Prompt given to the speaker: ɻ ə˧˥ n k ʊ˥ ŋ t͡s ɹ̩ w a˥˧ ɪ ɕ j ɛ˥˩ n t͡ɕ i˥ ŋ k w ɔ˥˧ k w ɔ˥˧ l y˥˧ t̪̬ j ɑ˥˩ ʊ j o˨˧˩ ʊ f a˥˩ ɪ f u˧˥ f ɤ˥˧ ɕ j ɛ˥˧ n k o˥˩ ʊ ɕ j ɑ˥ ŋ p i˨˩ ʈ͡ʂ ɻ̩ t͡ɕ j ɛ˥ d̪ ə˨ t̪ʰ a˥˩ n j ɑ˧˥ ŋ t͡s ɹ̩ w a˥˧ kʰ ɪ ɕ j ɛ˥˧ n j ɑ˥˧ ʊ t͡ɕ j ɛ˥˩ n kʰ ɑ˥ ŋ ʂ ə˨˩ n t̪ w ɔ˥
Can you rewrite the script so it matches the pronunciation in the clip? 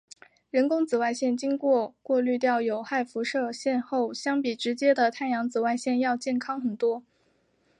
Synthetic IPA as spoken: ɻ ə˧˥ n k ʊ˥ ŋ t͡s ɹ̩ w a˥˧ ɪ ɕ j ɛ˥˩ n t͡ɕ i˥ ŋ k w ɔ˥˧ k w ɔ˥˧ l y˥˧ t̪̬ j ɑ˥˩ ʊ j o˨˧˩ ʊ x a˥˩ ɪ f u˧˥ ʂ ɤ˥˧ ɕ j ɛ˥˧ n x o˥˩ ʊ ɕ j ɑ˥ ŋ p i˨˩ ʈ͡ʂ ɻ̩ t͡ɕ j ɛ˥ d̪ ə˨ t̪ʰ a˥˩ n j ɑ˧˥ ŋ t͡s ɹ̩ w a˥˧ ɪ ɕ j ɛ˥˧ n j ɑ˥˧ ʊ t͡ɕ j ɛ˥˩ n kʰ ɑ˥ ŋ x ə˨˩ n t̪ w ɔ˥